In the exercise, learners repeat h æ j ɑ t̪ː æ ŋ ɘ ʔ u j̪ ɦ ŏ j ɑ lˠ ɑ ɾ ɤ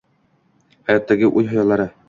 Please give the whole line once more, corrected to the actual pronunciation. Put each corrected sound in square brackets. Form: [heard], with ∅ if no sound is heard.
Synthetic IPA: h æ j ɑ t̪ː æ [ɡ] ɘ ʔ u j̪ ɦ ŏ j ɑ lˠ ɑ ɾ ɤ

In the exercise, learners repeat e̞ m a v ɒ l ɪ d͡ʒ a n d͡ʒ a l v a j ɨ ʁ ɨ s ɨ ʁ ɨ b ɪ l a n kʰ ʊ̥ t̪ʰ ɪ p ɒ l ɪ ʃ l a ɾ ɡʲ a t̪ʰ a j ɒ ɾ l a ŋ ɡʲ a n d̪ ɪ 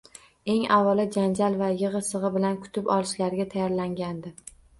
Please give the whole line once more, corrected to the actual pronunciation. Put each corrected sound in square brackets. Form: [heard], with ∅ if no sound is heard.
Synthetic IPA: e̞ [ŋ] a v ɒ l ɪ d͡ʒ a n d͡ʒ a l v a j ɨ ʁ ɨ s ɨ ʁ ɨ b ɪ l a n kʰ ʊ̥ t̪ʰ ɪ p ɒ l ɪ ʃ l a ɾ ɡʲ a t̪ʰ a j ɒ ɾ l a ŋ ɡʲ a n d̪ ɪ

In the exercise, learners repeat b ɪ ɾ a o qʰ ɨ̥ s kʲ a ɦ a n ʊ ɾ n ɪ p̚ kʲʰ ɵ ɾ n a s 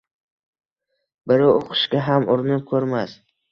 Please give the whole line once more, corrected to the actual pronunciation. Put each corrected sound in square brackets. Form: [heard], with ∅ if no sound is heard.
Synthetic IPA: b ɪ ɾ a o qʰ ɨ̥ [ʃ] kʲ a ɦ a [m] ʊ ɾ n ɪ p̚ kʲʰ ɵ ɾ [m] a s

